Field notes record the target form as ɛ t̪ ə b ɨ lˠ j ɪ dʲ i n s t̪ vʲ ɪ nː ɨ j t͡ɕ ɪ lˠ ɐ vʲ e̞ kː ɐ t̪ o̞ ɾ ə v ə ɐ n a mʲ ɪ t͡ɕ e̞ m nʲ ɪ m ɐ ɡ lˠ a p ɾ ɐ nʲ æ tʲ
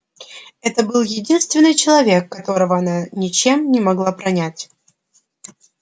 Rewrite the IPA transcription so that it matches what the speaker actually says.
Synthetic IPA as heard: ɛ t̪ ə b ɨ lˠ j ɪ dʲ i n s t̪ vʲ ɪ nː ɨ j t͡ɕ ɪ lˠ ɐ vʲ e̞ kː ɐ t̪ o̞ ɾ ə v ə ɐ n a nʲ ɪ t͡ɕ e̞ m nʲ ɪ m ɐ ɡ lˠ a p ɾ ɐ nʲ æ tʲ